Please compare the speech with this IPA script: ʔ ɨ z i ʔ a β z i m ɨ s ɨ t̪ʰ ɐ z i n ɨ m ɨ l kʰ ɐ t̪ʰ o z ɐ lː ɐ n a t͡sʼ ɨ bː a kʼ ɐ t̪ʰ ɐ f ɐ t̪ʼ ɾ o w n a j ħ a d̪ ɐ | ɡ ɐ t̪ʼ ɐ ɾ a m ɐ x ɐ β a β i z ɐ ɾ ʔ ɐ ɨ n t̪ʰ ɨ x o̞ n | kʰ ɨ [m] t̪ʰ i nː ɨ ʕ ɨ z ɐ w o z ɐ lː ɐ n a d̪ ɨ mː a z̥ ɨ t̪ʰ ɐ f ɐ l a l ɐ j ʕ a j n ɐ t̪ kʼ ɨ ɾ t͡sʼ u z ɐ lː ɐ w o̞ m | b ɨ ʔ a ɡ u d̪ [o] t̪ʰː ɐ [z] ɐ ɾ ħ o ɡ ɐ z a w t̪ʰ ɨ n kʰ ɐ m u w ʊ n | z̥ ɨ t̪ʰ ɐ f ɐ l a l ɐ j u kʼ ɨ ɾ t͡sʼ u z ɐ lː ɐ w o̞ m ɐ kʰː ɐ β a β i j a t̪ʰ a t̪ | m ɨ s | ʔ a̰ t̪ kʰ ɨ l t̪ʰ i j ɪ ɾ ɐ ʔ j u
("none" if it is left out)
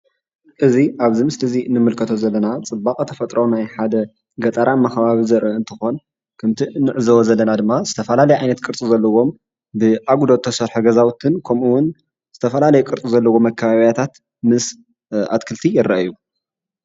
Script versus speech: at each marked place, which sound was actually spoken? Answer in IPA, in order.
m, o, s

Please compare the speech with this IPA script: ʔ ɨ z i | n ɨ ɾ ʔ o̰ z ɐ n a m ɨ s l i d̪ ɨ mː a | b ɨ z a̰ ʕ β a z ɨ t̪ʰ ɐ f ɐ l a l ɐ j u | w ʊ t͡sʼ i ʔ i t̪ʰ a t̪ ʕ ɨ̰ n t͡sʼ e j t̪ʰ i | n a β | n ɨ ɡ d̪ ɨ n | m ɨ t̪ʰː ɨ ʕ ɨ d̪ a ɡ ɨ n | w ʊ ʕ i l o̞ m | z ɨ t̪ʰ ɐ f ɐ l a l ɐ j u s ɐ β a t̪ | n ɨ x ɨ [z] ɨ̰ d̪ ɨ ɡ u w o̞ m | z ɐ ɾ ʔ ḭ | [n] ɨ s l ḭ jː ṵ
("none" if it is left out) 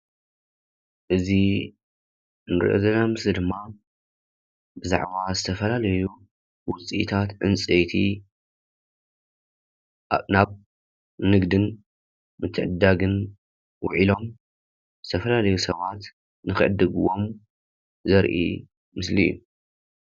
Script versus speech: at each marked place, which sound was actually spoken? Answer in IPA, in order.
ʕ, m

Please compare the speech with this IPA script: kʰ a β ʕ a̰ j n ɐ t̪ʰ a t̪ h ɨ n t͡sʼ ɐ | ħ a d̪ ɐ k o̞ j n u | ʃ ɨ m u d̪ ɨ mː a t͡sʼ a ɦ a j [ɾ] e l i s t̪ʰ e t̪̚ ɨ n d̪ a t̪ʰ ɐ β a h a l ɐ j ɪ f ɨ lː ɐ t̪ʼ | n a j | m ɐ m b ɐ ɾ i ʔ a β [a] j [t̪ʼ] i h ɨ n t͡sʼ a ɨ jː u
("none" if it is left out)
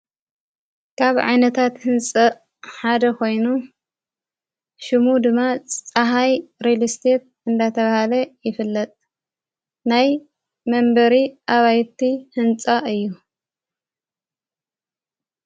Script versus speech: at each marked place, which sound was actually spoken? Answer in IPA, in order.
ɾ, a, t̪

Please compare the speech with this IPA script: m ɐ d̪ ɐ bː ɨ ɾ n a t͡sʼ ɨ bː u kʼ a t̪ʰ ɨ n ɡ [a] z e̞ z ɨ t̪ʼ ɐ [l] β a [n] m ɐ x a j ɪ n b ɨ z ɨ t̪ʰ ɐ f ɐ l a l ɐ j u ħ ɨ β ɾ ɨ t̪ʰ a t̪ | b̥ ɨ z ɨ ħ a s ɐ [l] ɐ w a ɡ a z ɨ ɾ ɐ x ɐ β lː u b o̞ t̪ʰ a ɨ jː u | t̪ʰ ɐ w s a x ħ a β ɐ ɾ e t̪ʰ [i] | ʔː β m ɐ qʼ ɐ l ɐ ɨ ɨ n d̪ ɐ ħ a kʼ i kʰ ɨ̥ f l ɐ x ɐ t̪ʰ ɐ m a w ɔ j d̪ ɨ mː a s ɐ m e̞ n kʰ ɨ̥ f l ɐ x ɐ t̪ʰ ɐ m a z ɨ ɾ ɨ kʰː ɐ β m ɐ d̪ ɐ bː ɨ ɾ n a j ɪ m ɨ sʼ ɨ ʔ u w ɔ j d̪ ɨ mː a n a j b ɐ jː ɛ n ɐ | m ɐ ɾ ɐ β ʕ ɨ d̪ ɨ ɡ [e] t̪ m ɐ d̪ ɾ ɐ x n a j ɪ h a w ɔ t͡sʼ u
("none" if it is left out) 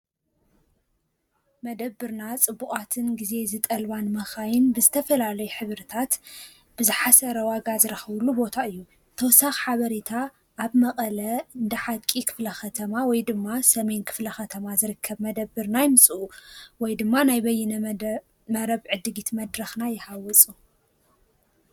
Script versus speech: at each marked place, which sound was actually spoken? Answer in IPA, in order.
i, l, n, ɾ, a, i

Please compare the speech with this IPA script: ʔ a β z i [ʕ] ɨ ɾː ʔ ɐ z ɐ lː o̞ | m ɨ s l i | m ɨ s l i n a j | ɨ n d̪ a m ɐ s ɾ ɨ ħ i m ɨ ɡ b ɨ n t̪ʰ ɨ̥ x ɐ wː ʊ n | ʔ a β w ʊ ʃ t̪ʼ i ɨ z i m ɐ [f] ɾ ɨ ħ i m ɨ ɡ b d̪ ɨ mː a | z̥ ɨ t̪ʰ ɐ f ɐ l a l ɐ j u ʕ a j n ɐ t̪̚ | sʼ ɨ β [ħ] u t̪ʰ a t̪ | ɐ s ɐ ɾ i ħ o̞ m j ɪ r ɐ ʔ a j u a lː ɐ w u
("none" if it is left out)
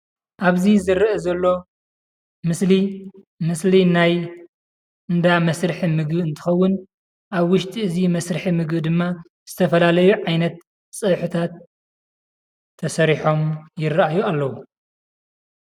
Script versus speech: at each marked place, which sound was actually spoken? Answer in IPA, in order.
z, s, ħ

